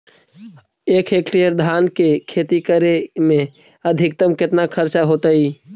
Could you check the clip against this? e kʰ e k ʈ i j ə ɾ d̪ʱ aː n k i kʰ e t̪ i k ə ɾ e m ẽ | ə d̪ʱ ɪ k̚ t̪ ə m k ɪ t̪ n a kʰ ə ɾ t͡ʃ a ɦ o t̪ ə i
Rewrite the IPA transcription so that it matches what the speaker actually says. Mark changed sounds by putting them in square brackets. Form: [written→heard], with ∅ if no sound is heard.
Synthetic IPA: e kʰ e k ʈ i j ə ɾ d̪ʱ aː n k [i→e] kʰ e t̪ i k ə ɾ e m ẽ | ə d̪ʱ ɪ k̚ t̪ ə m k ɪ t̪ n a kʰ ə ɾ t͡ʃ a ɦ o t̪ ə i